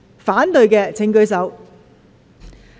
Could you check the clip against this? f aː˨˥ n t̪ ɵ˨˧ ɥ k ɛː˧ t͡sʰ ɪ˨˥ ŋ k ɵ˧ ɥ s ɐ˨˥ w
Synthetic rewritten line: f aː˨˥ n t̪ ɵ˨˧ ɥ k ɛː˧ t͡sʰ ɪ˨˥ ŋ k ɵ˧ ɥ s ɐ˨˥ w